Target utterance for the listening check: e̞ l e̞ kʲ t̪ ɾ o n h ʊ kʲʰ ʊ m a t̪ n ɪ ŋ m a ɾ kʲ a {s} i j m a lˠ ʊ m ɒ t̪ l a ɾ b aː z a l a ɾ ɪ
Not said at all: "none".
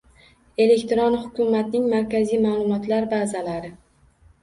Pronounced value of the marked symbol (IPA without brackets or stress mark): z